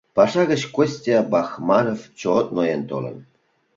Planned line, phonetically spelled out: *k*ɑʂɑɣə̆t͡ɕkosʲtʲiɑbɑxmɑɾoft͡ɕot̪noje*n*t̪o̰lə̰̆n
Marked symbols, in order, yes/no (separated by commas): no, yes